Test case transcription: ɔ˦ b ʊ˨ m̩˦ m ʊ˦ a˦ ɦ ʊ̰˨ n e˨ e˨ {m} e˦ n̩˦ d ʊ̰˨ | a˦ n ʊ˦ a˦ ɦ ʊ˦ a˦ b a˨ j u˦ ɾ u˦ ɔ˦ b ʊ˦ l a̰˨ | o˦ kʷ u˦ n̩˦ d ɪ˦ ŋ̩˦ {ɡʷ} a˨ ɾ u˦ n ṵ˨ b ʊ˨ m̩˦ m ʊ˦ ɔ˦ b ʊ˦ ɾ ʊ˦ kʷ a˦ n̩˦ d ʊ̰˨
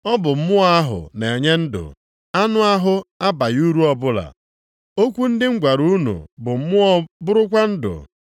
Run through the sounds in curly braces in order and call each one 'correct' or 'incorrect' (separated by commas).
incorrect, correct